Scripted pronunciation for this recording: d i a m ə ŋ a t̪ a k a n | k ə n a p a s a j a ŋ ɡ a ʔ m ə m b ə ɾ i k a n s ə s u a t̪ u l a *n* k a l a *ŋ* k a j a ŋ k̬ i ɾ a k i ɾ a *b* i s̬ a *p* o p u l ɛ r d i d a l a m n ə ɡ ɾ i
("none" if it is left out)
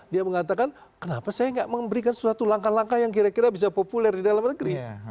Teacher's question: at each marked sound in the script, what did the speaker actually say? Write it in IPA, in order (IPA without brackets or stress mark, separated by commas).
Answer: ŋ, ŋ, b, p